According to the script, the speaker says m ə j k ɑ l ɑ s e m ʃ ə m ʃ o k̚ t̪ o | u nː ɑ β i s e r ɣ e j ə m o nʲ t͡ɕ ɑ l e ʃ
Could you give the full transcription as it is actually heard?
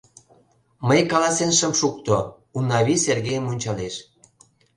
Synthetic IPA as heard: m ə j k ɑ l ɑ s e n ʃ ə m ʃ u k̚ t̪ o | u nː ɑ β i s e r ɣ e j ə m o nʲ t͡ɕ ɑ l e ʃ